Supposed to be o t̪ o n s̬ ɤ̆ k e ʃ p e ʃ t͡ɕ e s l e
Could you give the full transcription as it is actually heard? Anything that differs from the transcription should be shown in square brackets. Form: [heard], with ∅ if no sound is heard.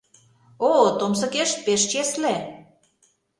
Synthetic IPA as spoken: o t̪ o [m] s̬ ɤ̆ k e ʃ p e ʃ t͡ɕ e s l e